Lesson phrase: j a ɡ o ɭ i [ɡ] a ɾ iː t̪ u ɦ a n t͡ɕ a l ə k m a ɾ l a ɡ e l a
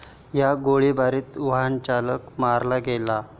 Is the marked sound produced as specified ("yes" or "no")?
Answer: no